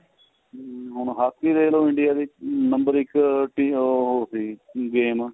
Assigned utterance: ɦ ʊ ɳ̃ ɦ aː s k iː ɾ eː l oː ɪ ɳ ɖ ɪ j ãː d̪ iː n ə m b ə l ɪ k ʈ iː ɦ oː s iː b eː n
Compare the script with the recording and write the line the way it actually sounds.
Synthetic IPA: ɦ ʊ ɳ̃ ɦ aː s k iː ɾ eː l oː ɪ ɳ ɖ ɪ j aː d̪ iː n ə m b ə ɾ ɪ k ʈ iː ɦ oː s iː ɡ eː m